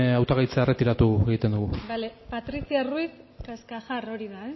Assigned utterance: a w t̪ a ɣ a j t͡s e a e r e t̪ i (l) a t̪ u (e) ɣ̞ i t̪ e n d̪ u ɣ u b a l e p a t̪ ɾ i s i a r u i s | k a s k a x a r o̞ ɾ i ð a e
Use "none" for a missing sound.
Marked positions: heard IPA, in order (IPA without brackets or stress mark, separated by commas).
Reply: ɾ, e